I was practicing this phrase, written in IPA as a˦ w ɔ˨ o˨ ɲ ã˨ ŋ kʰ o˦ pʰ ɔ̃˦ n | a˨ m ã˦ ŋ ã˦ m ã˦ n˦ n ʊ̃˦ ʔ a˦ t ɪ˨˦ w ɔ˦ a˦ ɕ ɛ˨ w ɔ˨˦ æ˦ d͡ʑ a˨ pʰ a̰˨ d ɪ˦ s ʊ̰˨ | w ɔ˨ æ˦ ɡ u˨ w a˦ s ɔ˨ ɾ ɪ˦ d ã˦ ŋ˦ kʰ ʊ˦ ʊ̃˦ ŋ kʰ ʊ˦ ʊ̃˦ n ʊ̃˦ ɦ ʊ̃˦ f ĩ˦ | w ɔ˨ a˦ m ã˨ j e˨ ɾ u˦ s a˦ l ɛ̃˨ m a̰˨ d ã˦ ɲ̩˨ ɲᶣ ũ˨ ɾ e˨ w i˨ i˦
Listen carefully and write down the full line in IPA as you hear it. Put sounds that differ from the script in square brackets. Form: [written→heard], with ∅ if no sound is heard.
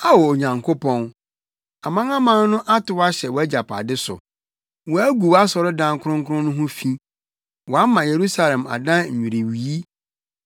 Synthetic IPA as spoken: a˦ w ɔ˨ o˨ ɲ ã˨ ŋ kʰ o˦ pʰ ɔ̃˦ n | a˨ m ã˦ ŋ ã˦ m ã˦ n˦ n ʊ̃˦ ʔ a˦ t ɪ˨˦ w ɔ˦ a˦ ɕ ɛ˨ w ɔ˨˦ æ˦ d͡ʑ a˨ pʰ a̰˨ d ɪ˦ s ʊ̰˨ | w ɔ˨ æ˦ ɡ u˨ w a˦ s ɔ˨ ɾ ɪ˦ d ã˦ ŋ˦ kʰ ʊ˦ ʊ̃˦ ŋ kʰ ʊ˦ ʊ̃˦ n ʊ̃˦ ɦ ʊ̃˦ f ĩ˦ | w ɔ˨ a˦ m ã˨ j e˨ ɾ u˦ s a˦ l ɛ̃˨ m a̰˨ d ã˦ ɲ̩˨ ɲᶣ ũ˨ ɾ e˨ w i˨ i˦